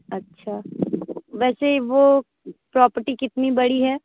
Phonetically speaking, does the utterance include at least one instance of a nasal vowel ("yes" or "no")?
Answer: no